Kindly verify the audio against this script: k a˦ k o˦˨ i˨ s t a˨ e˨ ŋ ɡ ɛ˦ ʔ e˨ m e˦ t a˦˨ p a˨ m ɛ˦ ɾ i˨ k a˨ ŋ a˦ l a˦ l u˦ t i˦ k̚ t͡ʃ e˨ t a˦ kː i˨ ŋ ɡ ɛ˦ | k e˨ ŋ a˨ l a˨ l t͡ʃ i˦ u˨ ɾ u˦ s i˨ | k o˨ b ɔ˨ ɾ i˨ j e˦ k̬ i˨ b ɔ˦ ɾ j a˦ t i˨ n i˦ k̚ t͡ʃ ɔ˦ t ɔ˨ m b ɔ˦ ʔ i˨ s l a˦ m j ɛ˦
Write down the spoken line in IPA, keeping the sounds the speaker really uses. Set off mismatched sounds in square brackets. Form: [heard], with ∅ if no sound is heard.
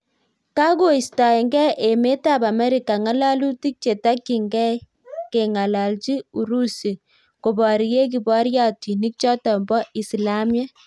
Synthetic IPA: k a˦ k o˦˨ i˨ s t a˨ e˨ ŋ ɡ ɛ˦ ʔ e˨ m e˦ t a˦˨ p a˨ m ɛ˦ ɾ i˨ k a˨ ŋ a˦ l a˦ l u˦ t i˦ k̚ t͡ʃ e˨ t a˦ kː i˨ ŋ ɡ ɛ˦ | k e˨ ŋ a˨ l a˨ l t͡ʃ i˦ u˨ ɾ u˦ s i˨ | k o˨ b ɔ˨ ɾ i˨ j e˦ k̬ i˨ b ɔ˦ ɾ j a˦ t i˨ n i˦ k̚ t͡ʃ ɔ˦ t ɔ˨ m b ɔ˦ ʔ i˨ s l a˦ m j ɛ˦